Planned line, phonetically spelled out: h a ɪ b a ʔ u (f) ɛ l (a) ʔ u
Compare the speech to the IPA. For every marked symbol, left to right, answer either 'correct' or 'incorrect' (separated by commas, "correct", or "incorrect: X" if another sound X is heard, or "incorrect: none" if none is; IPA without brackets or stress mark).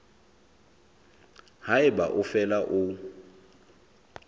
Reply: correct, correct